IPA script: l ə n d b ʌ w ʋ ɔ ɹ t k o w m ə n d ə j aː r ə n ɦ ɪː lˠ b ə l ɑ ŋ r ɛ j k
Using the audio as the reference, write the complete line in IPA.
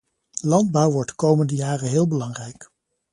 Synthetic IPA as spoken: l ɑ n d b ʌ w ʋ ɔ ɹ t k o w m ə n d ə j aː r ə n ɦ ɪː lˠ b ə l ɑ ŋ r ɛ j k